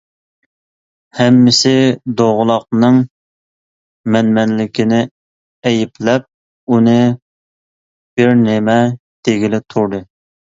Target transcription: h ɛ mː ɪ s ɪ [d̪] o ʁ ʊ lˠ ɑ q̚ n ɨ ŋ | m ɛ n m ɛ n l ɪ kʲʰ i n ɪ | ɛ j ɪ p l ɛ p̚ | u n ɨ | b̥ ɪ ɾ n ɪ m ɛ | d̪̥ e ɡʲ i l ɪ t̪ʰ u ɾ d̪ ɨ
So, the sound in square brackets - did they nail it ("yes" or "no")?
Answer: yes